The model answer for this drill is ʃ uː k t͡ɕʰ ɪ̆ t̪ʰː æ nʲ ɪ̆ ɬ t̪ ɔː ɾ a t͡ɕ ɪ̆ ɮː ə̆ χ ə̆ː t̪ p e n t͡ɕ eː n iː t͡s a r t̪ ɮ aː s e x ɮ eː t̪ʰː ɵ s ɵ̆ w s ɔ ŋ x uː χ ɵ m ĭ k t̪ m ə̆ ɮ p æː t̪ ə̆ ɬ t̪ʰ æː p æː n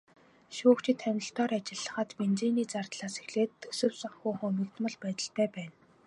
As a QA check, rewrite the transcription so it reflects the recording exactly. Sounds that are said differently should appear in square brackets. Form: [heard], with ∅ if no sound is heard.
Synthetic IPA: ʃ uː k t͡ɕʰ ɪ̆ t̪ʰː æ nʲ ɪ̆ ɬ t̪ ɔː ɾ a t͡ɕ ɪ̆ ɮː ə̆ χ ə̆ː t̪ p e n t͡ɕ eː n iː t͡s a r t̪ ɮ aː s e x ɮ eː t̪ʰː ɵ s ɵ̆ w s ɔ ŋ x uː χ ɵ m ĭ k t̪ m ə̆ ɮ p æː t̪ ə̆ ɬ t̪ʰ æː p æː n